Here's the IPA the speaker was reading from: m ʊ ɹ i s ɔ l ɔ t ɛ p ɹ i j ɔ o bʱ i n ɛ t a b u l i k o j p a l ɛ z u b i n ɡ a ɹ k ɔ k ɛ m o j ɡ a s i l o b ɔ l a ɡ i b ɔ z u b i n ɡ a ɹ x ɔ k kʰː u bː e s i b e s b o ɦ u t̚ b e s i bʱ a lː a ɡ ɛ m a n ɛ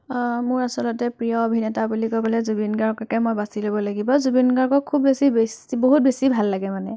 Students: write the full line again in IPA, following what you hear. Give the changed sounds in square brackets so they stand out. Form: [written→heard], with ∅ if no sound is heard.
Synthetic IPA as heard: m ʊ ɹ [i→a] s ɔ l ɔ t ɛ p ɹ i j ɔ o bʱ i n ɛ t a b u l i k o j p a l ɛ z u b i n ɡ a ɹ k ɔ k ɛ m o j [ɡ→b] a s i l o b ɔ l a ɡ i b ɔ z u b i n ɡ a ɹ [x→k] ɔ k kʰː u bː e s i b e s b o ɦ u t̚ b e s i bʱ a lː a ɡ ɛ m a n ɛ

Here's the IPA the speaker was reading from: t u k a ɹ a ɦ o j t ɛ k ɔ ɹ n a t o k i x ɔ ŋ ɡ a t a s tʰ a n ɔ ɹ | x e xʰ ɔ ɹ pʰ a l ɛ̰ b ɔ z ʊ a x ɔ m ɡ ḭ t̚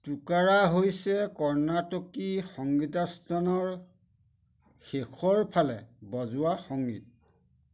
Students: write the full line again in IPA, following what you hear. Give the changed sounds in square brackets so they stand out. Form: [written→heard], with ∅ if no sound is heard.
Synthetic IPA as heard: t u k a ɹ a ɦ o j [t→s] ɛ k ɔ ɹ n a t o k i x ɔ ŋ ɡ [a→i] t a s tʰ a n ɔ ɹ | x e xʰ ɔ ɹ pʰ a l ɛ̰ b ɔ z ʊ a x ɔ [m→ŋ] ɡ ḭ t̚

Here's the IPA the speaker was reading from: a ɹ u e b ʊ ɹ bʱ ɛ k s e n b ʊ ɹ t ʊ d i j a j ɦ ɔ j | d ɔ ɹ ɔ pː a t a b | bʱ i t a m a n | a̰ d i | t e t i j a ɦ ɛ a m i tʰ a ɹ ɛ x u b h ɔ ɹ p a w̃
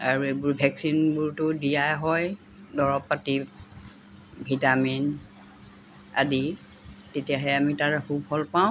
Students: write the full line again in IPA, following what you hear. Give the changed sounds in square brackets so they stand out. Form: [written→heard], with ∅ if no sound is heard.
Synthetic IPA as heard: a ɹ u e b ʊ ɹ bʱ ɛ k s [e→i] n b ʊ ɹ t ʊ d i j a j ɦ ɔ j | d ɔ ɹ ɔ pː a t [a→i] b | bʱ i t a m [a→i] n | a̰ d i | t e t i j a ɦ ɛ a m i [tʰ→t] a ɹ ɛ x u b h ɔ [ɹ→l] p a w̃

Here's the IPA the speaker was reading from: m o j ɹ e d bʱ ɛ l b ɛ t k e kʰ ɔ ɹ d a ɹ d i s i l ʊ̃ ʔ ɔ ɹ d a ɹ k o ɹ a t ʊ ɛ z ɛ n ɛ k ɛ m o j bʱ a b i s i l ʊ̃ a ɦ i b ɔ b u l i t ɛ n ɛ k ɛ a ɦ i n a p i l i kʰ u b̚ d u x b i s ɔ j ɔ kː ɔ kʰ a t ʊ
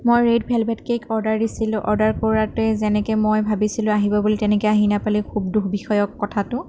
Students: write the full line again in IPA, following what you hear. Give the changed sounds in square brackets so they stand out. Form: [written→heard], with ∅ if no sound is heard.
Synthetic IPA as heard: m o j ɹ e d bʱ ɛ l b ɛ t k e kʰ ɔ ɹ d a ɹ d i s i l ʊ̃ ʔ ɔ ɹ d a ɹ k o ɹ a t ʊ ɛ z ɛ n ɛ k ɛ m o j bʱ a b i s i l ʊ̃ a ɦ i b ɔ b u l i t ɛ n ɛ k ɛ a ɦ i n a p [i→a] l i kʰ u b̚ d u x b i [s→x] ɔ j ɔ kː ɔ [kʰ→tʰ] a t ʊ

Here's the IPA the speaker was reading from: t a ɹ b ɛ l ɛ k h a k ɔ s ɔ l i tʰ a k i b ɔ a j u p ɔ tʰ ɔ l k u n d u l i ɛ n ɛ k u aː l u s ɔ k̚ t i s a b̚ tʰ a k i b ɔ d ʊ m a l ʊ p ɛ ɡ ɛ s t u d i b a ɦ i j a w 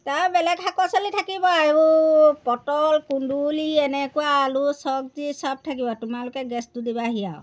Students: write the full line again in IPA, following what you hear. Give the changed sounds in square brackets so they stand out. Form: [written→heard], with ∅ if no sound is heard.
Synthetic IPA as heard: t a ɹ b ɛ l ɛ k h a k ɔ s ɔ l i tʰ a k i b ɔ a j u p ɔ [tʰ→t] ɔ l k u n d u l i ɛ n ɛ k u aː l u s ɔ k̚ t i s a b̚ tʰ a k i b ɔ [d→t] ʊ m a l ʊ [p→k] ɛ ɡ ɛ s t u d i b a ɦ i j a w

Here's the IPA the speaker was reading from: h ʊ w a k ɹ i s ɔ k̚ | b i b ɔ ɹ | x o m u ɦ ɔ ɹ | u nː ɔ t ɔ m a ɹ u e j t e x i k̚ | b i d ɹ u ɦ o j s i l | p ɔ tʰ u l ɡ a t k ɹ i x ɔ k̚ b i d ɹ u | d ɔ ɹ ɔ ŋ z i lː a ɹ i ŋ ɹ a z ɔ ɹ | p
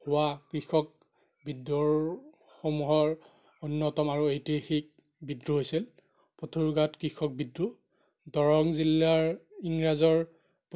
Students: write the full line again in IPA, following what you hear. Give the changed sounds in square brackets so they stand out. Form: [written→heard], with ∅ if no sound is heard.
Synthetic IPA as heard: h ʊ w a k ɹ i [s→x] ɔ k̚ | b i [b→d] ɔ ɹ | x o m u ɦ ɔ ɹ | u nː ɔ t ɔ m a ɹ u e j t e x i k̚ | b i d ɹ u ɦ o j s i l | p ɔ tʰ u [l→ɹ] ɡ a t k ɹ i x ɔ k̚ b i d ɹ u | d ɔ ɹ ɔ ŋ z i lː a ɹ i ŋ ɹ a z ɔ ɹ | p

